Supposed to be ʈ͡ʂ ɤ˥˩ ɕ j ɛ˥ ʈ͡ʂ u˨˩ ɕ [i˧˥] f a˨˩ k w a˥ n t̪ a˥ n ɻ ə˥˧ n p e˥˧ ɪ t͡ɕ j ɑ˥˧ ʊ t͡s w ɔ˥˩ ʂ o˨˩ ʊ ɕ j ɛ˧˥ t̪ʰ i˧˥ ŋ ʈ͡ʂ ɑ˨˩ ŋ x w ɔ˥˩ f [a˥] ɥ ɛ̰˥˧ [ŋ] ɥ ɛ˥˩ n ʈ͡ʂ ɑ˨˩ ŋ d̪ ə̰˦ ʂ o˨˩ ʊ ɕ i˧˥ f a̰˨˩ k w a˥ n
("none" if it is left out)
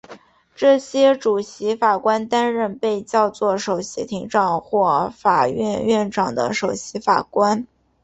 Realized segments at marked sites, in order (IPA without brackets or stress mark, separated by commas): i˧˥, a˨˩, n